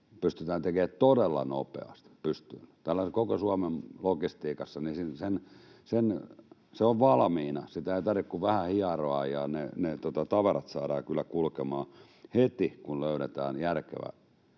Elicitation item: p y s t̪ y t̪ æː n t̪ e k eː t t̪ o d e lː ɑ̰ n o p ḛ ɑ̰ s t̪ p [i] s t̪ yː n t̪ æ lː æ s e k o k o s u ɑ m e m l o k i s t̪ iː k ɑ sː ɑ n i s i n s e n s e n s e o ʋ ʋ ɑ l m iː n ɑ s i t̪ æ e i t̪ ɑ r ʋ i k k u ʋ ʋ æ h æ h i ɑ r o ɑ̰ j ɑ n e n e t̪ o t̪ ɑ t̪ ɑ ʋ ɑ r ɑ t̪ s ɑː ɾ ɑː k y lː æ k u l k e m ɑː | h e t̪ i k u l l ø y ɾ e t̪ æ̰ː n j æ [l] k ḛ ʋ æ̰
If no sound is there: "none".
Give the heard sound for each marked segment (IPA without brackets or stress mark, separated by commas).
y, r